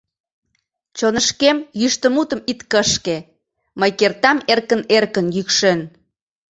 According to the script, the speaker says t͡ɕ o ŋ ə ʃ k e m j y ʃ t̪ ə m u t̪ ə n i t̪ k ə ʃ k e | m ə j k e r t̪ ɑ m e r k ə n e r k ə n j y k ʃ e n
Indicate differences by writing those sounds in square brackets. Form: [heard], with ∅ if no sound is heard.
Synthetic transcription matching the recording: t͡ɕ o [n] ə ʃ k e m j y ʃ t̪ ə m u t̪ ə [m] i t̪ k ə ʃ k e | m ə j k e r t̪ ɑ m e r k ə n e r k ə n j y k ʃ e n

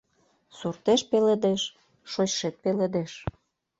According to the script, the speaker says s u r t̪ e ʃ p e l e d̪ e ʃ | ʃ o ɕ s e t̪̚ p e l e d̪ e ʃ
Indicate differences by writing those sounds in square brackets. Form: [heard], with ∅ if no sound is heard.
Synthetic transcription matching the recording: s u r t̪ e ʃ p e l e d̪ e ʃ | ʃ o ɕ [ʃ] e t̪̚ p e l e d̪ e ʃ

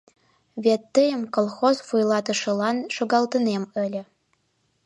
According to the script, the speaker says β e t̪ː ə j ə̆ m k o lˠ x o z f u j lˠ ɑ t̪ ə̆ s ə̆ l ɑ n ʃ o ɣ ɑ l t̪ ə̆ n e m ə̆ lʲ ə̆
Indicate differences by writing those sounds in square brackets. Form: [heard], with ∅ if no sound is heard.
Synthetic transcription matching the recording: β e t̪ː ə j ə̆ m k o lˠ x o z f u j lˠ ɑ t̪ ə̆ [ʃ] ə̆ l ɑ n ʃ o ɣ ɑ l t̪ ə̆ n e m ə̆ lʲ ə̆

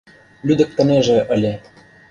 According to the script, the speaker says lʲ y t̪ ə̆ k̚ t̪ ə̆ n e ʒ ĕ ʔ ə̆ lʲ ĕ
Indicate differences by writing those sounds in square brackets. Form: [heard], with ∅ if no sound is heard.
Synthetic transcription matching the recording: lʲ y [d̪] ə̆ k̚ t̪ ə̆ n e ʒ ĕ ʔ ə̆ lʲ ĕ

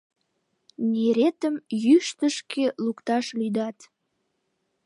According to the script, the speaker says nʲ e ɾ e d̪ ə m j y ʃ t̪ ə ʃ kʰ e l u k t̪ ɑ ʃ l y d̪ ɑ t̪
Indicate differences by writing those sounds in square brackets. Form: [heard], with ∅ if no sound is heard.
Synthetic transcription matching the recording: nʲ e ɾ e [t̪] ə m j y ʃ t̪ ə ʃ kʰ e l u k t̪ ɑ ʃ l y d̪ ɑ t̪

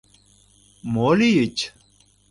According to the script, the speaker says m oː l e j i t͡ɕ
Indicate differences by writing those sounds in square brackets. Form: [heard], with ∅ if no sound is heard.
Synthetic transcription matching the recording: m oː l [i] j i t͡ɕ

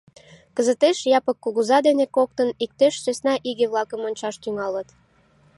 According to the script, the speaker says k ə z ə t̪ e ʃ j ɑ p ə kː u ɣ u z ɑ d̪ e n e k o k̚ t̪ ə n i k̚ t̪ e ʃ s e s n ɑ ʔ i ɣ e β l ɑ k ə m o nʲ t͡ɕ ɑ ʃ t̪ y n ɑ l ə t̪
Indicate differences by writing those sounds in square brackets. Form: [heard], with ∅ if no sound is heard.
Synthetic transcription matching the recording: k ə z ə t̪ e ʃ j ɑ p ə kː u ɣ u z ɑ d̪ e n e k o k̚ t̪ ə n i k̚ t̪ e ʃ s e s n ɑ ʔ i ɣ e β l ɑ k ə m o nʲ t͡ɕ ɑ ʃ t̪ y [ŋ] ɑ l ə t̪

